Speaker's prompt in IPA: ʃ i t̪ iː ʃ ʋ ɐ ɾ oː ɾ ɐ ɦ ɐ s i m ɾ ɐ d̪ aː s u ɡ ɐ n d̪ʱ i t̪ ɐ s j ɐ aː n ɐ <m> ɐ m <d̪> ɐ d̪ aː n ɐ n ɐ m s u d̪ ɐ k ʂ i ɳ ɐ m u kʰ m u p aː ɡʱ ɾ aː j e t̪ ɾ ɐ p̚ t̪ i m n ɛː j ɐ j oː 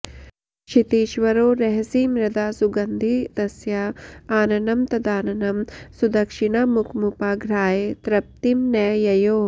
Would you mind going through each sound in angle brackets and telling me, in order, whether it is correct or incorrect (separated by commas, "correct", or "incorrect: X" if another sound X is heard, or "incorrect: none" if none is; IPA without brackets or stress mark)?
incorrect: n, incorrect: t̪